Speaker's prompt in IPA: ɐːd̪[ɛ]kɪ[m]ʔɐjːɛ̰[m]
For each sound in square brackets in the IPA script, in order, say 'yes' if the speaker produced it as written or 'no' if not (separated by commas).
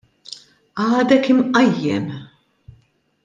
yes, yes, yes